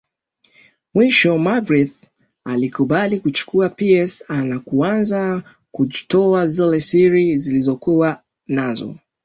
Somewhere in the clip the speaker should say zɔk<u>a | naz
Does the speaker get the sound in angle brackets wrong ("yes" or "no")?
no